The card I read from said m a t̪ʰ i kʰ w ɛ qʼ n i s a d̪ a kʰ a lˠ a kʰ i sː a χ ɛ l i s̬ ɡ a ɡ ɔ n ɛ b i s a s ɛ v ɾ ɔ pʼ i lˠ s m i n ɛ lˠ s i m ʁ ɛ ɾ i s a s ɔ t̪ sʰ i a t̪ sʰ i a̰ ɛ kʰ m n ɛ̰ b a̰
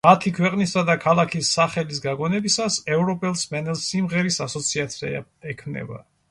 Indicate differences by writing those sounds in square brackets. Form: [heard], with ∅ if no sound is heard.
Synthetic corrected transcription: m a t̪ʰ i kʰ w ɛ qʼ n i s a d̪ a kʰ a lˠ a kʰ i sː a χ ɛ l i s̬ ɡ a ɡ ɔ n ɛ b i s a s ɛ v ɾ ɔ pʼ [ɛ] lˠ s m [ɛ] n ɛ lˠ s i m ʁ ɛ ɾ i s a s ɔ t̪ sʰ i a t̪ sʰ i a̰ ɛ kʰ m n ɛ̰ b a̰

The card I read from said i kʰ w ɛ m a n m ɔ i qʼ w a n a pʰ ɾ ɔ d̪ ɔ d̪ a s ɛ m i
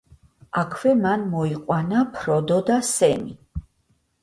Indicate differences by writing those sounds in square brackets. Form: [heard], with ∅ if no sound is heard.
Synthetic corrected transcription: [a] kʰ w ɛ m a n m ɔ i qʼ w a n a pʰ ɾ ɔ d̪ ɔ d̪ a s ɛ m i

